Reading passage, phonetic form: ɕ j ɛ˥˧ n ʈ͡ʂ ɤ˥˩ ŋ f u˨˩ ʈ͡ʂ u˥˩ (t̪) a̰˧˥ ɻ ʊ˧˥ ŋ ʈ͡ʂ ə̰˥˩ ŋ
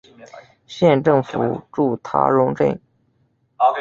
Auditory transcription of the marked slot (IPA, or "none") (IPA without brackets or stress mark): t̪ʰ